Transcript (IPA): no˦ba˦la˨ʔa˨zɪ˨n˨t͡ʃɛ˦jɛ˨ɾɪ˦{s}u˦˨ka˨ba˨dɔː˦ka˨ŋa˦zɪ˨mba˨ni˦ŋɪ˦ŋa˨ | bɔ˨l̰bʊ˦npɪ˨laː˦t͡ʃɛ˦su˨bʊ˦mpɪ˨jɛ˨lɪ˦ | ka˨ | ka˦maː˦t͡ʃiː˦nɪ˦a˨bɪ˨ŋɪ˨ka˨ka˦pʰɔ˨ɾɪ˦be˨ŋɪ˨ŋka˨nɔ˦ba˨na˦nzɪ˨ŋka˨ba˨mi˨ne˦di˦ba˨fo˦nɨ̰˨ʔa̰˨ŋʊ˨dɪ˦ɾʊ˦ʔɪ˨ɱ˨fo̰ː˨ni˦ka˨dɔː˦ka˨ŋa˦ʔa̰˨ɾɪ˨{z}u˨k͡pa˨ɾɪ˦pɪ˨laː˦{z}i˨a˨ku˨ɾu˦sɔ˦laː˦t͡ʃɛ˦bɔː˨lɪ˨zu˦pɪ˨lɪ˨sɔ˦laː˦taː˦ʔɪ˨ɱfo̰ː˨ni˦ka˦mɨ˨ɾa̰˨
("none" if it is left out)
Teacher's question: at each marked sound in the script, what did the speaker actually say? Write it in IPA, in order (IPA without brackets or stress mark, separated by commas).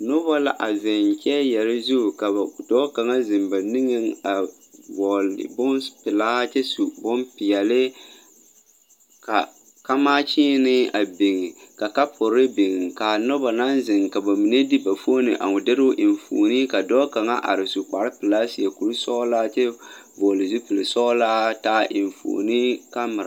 z, s, s